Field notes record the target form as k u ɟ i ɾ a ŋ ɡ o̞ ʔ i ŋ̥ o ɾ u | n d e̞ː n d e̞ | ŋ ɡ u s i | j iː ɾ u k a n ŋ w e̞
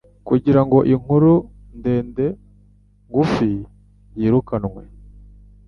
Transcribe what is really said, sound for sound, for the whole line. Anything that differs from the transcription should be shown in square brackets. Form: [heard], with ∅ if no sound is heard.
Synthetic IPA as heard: k u ɟ i ɾ a ŋ ɡ o̞ ʔ i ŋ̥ [u] ɾ u | n d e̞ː n d e̞ | ŋ ɡ u [f] i | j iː ɾ u k a n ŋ w e̞